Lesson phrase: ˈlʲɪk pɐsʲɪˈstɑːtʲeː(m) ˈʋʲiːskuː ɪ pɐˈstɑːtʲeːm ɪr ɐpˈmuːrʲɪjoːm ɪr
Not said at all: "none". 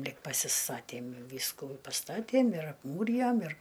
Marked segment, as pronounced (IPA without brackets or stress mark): m